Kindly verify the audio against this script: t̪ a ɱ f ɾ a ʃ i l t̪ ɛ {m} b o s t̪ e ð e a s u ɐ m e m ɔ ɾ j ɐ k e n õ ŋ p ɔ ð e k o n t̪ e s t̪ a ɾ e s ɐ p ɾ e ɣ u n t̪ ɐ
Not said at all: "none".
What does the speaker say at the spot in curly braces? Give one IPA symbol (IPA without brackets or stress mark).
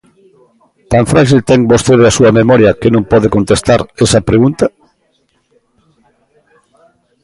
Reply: ŋ